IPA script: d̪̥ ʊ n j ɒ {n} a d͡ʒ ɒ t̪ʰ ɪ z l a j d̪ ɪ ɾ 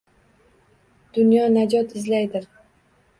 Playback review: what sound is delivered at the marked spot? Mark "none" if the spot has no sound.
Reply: n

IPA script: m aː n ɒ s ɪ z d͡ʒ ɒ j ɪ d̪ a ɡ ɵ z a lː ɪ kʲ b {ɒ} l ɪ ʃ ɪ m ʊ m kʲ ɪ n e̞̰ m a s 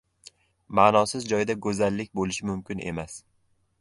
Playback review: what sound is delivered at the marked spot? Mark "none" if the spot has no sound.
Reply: o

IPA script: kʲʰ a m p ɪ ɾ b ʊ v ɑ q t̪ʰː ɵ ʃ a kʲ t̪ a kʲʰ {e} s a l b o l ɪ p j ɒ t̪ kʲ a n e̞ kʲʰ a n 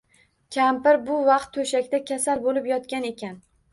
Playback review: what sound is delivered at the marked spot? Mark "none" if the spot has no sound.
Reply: a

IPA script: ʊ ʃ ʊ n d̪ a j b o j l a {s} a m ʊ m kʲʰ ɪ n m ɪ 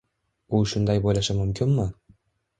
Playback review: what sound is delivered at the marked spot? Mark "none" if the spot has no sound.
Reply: ʃ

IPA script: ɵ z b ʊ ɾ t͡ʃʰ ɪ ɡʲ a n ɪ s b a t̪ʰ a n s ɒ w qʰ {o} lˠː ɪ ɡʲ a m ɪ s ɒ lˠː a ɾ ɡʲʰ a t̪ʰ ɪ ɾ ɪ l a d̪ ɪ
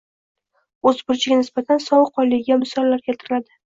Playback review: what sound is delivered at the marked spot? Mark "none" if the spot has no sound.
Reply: ɒ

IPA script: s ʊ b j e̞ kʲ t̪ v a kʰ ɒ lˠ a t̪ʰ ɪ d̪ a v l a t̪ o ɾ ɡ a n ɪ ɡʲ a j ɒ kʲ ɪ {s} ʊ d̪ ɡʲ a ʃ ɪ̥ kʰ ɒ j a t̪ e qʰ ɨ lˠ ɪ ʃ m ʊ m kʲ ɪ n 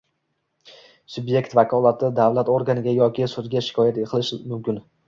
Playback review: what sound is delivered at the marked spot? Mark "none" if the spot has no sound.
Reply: s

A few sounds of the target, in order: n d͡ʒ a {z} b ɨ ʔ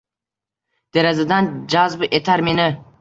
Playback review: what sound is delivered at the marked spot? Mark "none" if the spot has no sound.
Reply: z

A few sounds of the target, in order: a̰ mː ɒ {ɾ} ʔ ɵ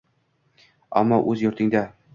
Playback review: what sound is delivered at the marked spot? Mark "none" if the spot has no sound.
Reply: none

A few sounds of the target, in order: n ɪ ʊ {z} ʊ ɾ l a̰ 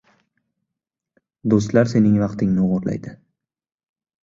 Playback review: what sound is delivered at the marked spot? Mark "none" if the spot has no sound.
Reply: ʁ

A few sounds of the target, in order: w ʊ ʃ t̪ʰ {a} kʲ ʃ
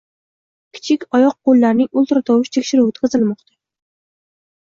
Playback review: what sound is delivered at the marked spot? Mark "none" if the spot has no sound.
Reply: e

